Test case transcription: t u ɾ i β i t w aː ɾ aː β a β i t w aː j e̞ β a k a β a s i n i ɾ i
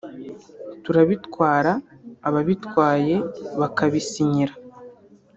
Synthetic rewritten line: t u ɾ a β i t w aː ɾ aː β a β i t w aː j e̞ β a k a β i s i ɲ i ɾ a